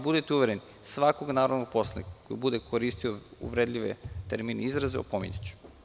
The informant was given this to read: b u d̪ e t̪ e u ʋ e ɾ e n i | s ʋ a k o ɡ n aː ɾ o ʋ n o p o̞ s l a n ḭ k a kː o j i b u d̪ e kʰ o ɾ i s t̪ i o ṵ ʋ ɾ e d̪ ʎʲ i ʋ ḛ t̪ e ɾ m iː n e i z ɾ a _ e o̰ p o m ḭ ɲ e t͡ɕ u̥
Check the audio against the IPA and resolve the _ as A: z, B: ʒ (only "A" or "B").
A